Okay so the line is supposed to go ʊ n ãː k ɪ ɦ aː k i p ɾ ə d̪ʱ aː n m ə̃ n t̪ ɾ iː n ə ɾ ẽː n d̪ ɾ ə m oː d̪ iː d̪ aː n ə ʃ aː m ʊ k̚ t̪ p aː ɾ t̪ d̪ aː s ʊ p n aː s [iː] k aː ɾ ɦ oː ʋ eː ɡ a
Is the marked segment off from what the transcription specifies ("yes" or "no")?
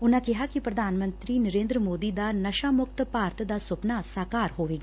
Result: yes